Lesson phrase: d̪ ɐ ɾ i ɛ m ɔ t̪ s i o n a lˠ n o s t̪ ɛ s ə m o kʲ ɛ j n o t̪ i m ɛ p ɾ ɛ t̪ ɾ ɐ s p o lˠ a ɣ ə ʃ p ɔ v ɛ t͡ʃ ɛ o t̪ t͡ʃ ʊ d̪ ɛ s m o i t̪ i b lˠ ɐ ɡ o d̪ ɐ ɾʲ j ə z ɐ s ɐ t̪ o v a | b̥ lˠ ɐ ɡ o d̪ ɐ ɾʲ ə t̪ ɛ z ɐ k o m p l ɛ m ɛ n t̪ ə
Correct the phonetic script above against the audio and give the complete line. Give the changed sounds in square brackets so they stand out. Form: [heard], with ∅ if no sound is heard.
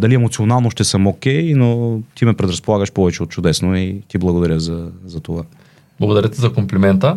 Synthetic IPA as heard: d̪ ɐ [l] i ɛ m [o] t̪ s i o n a lˠ n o [ʃ] t̪ ɛ s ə m o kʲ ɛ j n o t̪ i m ɛ p ɾ ɛ [d̪] ɾ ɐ s p o lˠ a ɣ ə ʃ p ɔ v ɛ t͡ʃ ɛ o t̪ t͡ʃ ʊ d̪ ɛ s [n] o i t̪ i b lˠ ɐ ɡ o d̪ ɐ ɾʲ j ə z ɐ [z] ɐ t̪ o v a | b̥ lˠ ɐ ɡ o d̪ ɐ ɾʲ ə t̪ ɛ z ɐ k o m p l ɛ m ɛ n t̪ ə